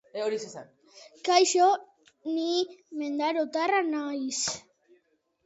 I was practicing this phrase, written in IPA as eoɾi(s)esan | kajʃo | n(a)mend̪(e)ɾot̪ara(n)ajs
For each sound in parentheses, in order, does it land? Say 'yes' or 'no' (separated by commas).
yes, no, no, yes